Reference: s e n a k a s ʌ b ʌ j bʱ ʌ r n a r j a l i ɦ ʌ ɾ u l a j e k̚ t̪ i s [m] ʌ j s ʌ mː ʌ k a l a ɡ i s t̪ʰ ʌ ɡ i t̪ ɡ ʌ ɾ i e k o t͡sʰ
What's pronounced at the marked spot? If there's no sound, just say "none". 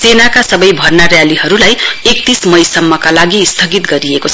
m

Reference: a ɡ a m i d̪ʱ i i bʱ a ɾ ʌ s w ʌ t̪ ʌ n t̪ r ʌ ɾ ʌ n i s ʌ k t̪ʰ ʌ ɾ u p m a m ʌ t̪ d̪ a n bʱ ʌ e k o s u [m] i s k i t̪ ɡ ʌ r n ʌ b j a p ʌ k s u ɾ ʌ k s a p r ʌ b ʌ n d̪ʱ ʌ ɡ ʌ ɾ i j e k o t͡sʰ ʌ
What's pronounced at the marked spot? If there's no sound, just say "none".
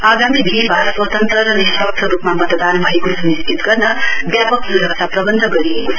n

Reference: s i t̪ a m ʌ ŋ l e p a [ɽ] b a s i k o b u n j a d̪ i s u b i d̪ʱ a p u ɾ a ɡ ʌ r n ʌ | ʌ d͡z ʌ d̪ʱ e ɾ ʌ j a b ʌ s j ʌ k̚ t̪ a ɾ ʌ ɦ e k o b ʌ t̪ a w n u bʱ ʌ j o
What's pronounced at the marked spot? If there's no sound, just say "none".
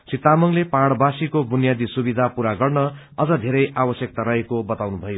ɽ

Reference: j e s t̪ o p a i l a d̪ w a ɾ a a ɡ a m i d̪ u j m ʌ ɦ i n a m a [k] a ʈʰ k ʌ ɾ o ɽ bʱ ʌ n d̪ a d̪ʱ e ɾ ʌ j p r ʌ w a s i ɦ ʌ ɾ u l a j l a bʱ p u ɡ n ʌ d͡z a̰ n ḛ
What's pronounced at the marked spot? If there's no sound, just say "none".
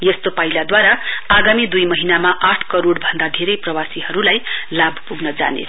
ʔ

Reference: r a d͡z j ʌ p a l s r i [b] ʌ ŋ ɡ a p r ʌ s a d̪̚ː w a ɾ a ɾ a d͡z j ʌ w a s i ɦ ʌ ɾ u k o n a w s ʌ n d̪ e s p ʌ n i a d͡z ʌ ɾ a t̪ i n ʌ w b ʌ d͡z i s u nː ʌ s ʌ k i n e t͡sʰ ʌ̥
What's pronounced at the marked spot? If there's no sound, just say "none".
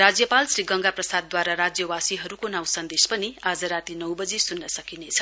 ɡ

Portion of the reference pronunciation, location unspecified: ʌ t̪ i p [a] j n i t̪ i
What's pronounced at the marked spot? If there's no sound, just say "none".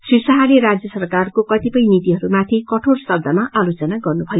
ʌ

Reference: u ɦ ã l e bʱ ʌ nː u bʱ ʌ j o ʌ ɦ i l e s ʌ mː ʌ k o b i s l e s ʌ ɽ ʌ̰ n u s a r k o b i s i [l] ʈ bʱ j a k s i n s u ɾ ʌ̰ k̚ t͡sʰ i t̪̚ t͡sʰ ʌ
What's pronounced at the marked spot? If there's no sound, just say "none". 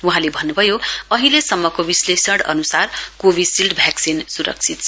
l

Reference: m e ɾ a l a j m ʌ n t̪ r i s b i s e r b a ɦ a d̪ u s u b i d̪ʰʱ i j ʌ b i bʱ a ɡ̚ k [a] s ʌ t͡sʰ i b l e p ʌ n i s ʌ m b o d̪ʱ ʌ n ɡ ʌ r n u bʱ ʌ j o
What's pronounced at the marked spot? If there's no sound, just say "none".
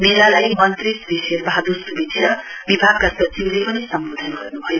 a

